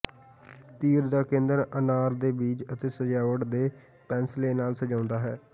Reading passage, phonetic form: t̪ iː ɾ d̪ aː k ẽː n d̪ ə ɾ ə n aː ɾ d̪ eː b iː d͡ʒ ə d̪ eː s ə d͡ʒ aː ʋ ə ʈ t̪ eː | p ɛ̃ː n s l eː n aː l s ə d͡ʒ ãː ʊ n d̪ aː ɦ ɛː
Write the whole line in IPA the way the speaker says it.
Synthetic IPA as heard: t̪ iː ɾ d̪ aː k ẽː n d̪ ə ɾ ə n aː ɾ d̪ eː b iː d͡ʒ ə t̪ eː s ə d͡ʒ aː ʋ ə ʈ d̪ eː | p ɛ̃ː n s l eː n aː l s ə d͡ʒ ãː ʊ n d̪ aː ɦ ɛː